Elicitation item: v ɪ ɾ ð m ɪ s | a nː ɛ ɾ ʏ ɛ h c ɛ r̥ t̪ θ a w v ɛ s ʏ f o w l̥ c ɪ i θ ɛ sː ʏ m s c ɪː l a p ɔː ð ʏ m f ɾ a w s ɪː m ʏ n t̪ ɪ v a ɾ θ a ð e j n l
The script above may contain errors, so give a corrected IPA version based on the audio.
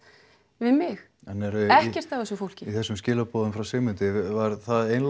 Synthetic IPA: v ɪ ð m ɪ x | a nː ɛ ɾ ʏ ɛ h c ɛ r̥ t̪ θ a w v ɛ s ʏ f o w l̥ c ɪ i θ ɛ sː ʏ m s c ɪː l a p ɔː ð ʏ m f ɾ a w s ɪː m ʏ n t̪ ɪ v a ɾ θ a ð e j n l